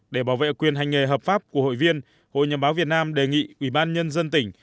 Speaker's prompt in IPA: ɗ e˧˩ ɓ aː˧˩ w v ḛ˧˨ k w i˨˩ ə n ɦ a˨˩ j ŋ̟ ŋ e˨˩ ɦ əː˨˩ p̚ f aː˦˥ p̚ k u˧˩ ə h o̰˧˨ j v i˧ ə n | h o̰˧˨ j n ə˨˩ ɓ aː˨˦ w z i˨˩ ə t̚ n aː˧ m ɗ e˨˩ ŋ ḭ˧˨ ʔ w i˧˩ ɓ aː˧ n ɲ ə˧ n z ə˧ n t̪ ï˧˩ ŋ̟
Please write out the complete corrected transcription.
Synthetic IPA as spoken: ɗ e˧˩ ɓ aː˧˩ w v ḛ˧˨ k w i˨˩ ə n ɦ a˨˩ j ŋ̟ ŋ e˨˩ ɦ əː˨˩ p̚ f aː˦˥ p̚ k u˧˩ ə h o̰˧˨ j v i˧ ə n | h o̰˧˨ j ɲ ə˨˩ ɓ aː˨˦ w v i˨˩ ə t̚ n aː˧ m ɗ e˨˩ ŋ ḭ˧˨ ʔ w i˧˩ ɓ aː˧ n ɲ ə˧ n z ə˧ n t̪ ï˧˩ ŋ̟

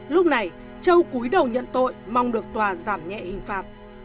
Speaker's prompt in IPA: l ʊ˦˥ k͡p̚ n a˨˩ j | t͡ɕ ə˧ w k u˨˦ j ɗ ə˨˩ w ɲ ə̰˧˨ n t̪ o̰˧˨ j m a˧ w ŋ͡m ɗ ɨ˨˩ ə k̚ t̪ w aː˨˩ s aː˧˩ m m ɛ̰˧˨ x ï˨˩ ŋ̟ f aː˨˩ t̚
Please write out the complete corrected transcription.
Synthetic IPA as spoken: l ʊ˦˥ k͡p̚ n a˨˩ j | t͡ɕ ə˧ w k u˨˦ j ɗ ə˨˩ w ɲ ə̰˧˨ n t̪ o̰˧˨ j m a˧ w ŋ͡m ɗ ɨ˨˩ ə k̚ t̪ w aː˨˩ z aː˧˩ m ɲ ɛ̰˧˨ h ï˨˩ ŋ̟ f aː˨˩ t̚

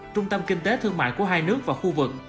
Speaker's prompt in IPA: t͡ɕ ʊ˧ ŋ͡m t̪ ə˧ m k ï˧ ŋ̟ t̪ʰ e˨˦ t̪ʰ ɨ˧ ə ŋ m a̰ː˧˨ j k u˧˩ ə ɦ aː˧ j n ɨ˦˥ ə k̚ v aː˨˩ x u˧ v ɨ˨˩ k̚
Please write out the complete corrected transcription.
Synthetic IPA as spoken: t͡ɕ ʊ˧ ŋ͡m t̪ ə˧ m k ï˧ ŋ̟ t̪ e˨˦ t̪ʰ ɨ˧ ə ŋ m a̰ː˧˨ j k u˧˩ ə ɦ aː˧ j n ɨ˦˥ ə k̚ v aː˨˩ x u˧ v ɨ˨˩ k̚

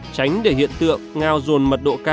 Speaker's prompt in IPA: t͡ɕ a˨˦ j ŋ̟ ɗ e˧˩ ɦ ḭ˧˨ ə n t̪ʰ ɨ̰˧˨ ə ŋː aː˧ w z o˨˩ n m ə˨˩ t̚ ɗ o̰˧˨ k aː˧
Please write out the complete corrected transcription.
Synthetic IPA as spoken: t͡ɕ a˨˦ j ŋ̟ ɗ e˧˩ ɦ ḭ˧˨ ə n t̪ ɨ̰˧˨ ə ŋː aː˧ w z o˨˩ n m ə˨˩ t̚ ɗ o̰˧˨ k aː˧

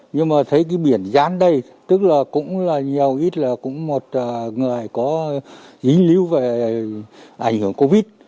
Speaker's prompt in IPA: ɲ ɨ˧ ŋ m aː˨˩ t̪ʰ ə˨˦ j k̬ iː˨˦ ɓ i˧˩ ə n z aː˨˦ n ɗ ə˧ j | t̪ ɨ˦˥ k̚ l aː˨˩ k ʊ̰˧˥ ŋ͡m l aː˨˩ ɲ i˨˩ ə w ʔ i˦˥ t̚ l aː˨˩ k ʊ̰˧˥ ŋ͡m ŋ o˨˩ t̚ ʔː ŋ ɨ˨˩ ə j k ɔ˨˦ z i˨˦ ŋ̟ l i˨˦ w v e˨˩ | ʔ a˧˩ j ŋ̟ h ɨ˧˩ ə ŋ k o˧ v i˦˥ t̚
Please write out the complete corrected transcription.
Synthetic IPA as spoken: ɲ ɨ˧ ŋ m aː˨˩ t̪ʰ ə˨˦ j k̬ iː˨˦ ɓ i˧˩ ə n z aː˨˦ n ɗ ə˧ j | t̪ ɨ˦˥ k̚ l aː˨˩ k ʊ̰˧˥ ŋ͡m l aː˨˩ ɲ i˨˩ ə w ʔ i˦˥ t̚ l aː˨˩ k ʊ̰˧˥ ŋ͡m m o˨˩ t̚ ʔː ŋ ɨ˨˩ ə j k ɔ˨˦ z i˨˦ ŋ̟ l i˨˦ w v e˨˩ | ʔ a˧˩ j ŋ̟ h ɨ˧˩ ə ŋ k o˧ v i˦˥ t̚

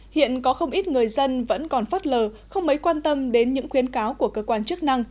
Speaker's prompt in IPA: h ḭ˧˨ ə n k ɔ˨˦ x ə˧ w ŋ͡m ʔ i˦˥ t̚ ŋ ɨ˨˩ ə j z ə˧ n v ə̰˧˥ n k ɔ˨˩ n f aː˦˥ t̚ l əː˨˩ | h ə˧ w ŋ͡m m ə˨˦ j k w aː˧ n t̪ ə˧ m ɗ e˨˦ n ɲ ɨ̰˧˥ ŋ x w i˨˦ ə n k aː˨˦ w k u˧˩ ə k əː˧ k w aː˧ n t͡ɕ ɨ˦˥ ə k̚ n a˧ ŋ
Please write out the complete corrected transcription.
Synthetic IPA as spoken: h ḭ˧˨ ə n k ɔ˨˦ x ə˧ w ŋ͡m ʔ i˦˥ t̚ ŋ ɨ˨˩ ə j z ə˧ n v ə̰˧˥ n k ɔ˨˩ n f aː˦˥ t̚ l əː˨˩ | x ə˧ w ŋ͡m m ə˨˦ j k w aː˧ n t̪ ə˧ m ɗ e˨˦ n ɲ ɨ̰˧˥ ŋ x w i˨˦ ə n k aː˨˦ w k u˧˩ ə k əː˧ k w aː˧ n t͡ɕ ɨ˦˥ ə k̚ n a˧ ŋ

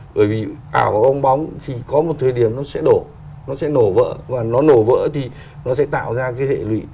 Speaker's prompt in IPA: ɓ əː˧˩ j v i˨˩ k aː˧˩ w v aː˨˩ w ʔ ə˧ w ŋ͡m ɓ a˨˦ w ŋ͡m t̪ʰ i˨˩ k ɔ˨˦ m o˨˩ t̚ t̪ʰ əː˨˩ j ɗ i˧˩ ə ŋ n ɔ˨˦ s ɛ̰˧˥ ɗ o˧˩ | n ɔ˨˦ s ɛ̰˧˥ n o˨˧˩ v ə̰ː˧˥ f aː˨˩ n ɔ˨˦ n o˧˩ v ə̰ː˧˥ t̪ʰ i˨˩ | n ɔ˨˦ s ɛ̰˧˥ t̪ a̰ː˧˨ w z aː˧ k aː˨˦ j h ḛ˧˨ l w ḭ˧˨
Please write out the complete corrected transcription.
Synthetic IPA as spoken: ɓ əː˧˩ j v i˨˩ ʔ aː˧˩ w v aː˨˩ w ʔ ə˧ w ŋ͡m ɓ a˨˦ w ŋ͡m t̪ʰ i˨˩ k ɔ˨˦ m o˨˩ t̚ t̪ʰ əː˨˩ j ɗ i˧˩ ə m n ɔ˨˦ s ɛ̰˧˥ ɗ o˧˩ | n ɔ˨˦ s ɛ̰˧˥ n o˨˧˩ v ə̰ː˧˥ v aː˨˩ n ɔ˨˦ n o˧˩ v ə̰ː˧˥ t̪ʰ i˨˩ | n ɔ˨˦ s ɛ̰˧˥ t̪ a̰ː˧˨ w z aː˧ k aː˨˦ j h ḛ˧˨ l w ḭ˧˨

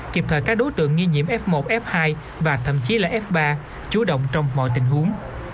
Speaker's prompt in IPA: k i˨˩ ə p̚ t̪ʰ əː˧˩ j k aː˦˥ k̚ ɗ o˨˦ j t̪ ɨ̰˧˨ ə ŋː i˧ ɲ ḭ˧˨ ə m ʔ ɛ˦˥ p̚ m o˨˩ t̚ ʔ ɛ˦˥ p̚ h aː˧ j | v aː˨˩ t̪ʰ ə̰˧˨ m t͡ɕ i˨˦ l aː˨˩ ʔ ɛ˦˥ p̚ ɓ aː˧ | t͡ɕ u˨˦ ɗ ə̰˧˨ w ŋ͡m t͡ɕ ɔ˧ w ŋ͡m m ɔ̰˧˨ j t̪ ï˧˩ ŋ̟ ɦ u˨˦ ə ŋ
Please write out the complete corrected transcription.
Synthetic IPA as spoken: k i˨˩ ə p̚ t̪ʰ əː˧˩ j k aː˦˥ k̚ ɗ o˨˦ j t̪ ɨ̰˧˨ ə ŋː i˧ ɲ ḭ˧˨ ə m ʔ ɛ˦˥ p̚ m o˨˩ t̚ ʔ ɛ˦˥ p̚ h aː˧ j | v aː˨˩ t̪ʰ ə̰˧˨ m t͡ɕ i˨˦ l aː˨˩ ʔ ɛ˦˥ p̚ ɓ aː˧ | t͡ɕ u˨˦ ɗ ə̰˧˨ w ŋ͡m t͡ɕ ɔ˧ w ŋ͡m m ɔ̰˧˨ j t̪ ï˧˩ ŋ̟ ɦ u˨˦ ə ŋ

